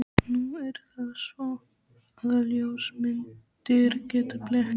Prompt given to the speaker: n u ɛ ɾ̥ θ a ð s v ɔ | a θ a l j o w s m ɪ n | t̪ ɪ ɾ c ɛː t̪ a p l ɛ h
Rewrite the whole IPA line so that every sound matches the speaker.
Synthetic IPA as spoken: n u ɛ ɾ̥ θ a ð s v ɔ | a ð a l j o w s m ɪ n | t̪ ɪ ɾ c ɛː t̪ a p l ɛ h